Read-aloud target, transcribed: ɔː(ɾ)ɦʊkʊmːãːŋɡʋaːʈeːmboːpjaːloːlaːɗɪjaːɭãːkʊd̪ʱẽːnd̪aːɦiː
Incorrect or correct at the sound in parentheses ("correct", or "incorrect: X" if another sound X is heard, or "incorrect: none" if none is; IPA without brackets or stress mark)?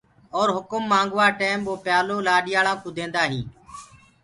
correct